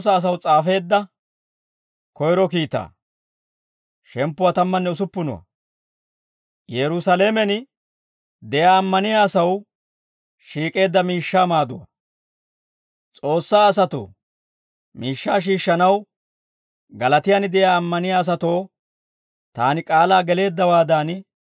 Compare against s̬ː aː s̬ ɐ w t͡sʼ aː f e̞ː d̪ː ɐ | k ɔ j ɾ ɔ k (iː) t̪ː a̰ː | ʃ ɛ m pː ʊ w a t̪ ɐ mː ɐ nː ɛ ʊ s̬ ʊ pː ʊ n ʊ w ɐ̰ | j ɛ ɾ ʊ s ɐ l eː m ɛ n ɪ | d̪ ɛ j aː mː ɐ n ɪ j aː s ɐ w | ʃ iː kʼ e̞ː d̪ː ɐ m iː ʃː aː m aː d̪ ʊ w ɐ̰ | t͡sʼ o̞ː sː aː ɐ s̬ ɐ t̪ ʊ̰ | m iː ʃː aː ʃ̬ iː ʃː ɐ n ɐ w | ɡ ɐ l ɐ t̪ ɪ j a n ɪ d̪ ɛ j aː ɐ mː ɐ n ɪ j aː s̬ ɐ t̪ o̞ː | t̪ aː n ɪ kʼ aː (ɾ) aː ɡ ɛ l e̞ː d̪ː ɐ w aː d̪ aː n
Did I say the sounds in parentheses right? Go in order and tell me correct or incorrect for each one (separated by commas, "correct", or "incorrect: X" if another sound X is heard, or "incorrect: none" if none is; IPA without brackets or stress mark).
correct, incorrect: l